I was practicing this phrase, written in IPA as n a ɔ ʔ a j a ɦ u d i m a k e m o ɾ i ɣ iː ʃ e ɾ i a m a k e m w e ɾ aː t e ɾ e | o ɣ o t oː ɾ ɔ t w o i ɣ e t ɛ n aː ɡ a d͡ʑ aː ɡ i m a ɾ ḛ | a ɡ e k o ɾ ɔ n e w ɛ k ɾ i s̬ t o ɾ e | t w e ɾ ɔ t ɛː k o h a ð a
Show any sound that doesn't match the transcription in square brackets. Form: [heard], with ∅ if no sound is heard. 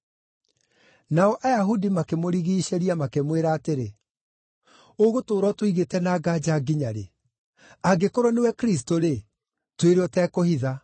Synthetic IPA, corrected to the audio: n a ɔ ʔ a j a ɦ u d i m a k e m o ɾ i ɣ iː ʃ e ɾ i a m a k e m w e ɾ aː t e ɾ e | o ɣ o t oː ɾ ɔ t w o i ɣ e t ɛ n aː ɡ a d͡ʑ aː ɡ i [ɲ] a ɾ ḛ | a ɡ e k o ɾ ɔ n e w ɛ k ɾ i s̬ t o ɾ e | t w e ɾ ɔ t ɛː k o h [i] ð a